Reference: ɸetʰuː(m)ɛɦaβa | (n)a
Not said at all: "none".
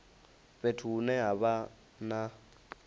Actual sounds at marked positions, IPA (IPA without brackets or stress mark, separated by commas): n, n